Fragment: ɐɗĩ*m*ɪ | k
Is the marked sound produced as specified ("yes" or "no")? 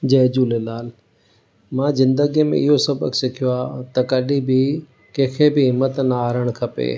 no